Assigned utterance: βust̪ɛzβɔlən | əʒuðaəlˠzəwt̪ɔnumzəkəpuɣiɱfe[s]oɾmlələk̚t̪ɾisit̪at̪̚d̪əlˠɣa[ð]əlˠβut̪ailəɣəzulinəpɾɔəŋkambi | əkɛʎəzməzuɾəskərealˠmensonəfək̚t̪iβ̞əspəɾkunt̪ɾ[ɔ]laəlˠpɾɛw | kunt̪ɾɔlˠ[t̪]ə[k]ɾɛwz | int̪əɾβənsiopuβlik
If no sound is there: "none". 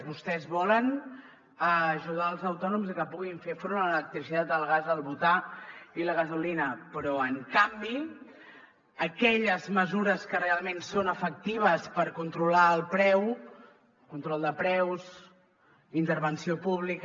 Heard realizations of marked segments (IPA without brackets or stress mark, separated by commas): f, z, u, d̪, p